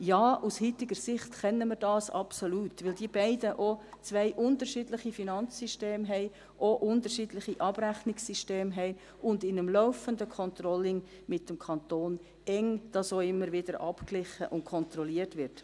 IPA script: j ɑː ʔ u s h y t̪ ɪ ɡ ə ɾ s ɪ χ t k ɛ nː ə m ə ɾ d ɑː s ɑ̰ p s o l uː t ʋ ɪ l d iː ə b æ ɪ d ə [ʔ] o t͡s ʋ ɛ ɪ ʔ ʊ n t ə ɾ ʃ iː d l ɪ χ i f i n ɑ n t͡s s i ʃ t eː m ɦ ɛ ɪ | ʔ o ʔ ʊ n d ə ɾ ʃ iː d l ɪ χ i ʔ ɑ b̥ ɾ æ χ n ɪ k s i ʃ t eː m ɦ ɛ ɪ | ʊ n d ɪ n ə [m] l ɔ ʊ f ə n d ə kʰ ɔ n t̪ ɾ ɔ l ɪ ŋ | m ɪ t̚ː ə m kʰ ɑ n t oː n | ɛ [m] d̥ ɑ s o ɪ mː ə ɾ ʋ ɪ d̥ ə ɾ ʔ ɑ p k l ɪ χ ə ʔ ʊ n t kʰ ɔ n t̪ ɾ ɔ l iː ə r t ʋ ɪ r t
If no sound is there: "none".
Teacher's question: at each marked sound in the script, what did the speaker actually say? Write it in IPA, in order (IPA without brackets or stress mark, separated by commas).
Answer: ʔ, m, ŋ